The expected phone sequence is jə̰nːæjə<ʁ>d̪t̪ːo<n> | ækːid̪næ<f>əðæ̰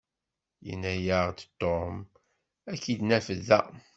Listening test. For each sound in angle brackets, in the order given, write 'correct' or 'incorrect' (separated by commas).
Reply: correct, incorrect, correct